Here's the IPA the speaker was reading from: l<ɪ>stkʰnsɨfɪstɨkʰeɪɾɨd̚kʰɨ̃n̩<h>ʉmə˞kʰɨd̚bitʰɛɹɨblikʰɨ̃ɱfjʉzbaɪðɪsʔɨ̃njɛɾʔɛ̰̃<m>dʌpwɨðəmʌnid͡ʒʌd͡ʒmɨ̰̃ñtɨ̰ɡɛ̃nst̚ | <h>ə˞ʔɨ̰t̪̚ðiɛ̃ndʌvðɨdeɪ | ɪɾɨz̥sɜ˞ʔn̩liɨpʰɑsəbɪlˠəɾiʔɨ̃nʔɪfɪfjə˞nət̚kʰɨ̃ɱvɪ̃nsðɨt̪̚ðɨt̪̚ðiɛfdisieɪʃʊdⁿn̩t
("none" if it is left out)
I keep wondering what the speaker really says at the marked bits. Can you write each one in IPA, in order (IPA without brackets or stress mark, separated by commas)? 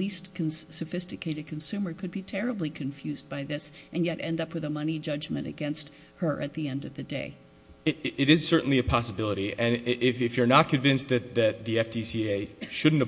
i, s, n, h